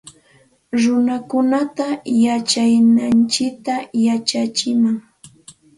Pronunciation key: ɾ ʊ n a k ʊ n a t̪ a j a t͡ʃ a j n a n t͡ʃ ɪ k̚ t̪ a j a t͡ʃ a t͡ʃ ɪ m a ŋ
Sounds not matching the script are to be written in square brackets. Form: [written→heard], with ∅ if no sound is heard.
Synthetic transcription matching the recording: ɾ ʊ n a k ʊ n a t̪ a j a t͡ʃ a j n a n t͡ʃ ɪ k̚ t̪ a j a t͡ʃ a t͡ʃ ɪ m a ŋ